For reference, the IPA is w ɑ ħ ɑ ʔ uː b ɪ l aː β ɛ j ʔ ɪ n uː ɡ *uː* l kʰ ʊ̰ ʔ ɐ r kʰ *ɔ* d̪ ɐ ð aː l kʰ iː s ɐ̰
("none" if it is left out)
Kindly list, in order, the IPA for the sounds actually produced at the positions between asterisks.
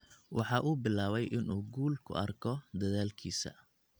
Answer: uː, ɔ

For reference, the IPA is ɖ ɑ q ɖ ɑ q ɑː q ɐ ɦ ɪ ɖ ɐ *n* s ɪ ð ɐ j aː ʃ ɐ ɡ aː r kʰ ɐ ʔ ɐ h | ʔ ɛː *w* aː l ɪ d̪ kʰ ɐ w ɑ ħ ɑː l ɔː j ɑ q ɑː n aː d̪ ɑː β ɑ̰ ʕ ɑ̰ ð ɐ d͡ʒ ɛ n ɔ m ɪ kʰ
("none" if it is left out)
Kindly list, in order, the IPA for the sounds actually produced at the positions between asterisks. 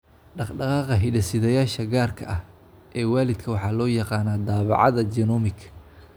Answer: none, w

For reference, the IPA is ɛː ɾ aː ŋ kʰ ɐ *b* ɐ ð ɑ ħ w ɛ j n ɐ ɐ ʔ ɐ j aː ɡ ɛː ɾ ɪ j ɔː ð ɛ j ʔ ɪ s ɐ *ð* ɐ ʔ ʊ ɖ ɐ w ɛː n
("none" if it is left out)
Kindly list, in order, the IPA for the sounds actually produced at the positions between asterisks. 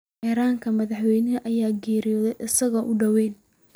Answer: m, ɣ

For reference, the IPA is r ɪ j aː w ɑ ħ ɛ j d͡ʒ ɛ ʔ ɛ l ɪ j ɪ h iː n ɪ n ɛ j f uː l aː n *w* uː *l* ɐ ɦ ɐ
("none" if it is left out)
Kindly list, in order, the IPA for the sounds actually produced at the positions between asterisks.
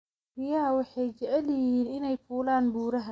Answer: b, ɾ

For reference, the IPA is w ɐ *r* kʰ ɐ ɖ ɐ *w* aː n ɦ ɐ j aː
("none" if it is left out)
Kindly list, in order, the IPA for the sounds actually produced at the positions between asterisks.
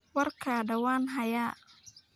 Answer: r, w

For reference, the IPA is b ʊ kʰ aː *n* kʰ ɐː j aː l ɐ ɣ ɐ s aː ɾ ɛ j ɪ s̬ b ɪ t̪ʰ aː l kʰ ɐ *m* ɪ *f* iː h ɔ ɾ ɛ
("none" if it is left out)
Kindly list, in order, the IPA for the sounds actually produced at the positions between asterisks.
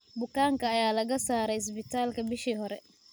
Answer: ŋ, b, ʃ

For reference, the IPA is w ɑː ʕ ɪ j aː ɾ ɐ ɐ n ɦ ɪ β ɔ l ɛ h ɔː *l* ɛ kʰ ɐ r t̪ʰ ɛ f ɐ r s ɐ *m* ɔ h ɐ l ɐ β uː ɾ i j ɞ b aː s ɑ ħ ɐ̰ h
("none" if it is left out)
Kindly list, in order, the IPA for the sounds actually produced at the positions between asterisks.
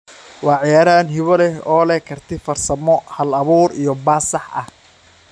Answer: l, m

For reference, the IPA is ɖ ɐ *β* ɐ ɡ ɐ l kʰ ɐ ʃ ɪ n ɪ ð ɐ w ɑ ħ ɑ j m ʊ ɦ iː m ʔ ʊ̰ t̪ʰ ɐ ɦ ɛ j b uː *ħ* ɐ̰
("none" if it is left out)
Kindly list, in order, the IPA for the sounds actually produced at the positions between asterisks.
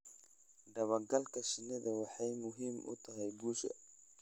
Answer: β, ʃ

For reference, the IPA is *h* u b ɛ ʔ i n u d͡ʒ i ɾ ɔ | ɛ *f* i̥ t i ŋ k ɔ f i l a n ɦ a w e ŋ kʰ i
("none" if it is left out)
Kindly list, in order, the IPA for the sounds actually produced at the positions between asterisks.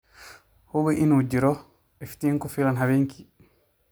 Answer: h, f

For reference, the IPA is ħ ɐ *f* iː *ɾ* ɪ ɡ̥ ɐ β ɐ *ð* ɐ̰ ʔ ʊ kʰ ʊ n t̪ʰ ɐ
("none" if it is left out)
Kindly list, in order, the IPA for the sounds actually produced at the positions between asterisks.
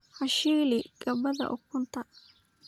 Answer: ʃ, l, ð

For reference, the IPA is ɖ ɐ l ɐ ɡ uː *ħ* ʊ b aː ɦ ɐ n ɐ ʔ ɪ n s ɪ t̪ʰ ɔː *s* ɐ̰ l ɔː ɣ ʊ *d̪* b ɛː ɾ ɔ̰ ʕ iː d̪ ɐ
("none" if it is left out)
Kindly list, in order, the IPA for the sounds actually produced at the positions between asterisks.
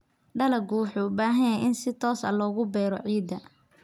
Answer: ħ, s, none

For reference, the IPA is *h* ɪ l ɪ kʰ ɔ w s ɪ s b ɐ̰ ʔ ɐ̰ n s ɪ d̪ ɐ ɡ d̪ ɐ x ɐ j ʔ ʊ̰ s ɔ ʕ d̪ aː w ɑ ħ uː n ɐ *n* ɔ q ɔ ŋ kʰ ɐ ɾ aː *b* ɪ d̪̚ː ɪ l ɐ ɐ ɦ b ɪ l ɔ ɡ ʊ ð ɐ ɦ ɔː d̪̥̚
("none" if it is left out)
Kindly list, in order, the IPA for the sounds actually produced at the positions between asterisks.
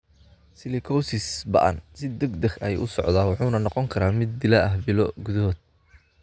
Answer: s, n, m

